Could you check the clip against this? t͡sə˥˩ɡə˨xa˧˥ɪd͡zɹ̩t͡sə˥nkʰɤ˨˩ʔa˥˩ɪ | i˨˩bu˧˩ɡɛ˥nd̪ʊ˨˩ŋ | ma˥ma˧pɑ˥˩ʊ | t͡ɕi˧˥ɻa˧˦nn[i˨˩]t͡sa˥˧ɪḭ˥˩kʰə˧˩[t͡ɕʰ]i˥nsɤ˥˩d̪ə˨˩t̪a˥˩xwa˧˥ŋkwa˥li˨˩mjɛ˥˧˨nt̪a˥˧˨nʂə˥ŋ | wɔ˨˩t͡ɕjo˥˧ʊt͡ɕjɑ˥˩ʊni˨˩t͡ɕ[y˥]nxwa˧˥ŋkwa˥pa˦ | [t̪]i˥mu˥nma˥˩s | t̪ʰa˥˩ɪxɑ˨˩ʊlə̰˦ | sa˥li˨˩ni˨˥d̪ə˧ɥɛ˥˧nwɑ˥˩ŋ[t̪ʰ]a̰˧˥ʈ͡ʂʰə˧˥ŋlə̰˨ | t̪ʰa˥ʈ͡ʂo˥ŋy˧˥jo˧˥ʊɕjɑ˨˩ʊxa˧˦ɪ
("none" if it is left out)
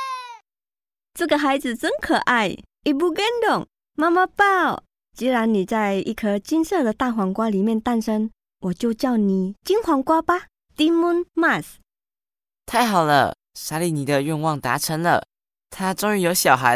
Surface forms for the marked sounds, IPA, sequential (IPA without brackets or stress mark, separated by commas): i˨˩, t͡ɕ, i˥, t̪, t̪